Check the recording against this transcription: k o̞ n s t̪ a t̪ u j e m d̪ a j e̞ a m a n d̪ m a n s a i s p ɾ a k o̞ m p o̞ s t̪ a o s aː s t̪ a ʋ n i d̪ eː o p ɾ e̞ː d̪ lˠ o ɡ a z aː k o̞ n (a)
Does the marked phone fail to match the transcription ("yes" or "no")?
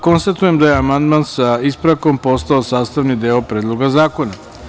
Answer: no